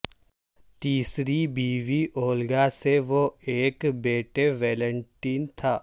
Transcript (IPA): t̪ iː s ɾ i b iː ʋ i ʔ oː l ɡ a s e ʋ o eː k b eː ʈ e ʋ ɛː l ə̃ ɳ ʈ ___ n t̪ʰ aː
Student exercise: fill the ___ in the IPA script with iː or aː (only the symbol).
iː